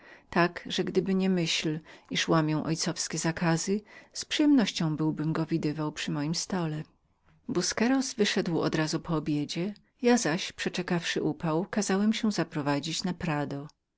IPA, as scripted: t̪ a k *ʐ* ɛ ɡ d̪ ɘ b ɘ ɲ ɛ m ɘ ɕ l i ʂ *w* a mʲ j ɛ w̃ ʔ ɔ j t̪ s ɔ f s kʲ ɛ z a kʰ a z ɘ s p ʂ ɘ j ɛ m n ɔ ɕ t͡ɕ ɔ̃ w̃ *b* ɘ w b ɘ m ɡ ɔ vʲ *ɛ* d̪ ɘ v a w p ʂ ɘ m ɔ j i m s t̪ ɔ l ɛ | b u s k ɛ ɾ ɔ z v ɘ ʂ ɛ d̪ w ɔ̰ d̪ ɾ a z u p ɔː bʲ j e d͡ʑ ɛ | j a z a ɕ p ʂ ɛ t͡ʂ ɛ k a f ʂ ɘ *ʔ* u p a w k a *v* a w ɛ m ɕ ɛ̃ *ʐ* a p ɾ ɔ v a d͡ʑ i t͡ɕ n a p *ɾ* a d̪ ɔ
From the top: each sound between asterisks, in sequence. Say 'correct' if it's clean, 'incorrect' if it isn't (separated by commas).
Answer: correct, correct, correct, incorrect, correct, incorrect, incorrect, correct